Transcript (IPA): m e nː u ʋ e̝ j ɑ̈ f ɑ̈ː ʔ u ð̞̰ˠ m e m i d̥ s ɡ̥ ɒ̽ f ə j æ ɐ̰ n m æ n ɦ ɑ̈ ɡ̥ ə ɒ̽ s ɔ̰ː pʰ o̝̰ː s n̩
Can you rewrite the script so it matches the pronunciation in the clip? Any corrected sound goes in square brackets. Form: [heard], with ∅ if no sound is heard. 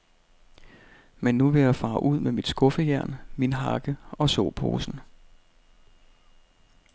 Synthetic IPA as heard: m e nː u ʋ e̝ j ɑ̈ f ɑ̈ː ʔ u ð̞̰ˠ m e m i d̥ s ɡ̥ [ɔ̽] f ə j æ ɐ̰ n m [i] n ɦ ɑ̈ ɡ̥ ə ɒ̽ s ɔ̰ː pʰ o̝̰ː s n̩